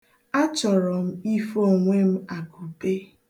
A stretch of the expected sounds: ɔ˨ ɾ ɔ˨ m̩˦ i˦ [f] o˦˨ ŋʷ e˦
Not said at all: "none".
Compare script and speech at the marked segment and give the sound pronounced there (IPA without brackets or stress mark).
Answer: f